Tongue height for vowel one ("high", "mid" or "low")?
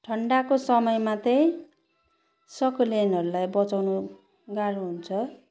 mid